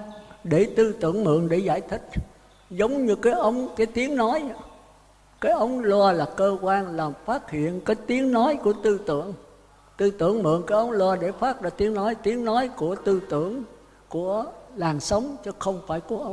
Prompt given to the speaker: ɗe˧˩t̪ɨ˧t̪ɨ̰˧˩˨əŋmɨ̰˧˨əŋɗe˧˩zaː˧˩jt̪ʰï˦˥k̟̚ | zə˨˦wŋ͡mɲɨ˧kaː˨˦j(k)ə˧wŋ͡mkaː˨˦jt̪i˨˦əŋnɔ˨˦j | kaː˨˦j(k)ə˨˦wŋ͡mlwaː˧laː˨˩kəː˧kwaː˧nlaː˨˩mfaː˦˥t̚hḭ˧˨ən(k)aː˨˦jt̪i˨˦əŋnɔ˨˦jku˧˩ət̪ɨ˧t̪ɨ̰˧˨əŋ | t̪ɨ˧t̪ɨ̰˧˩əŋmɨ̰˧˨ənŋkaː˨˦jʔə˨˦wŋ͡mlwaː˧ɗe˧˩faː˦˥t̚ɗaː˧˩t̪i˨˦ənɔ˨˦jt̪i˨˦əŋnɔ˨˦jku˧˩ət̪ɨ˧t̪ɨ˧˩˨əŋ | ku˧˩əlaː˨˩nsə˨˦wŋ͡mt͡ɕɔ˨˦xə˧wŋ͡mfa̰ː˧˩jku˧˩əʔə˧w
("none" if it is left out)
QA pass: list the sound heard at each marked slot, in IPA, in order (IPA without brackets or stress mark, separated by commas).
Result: ʔ, ʔ, k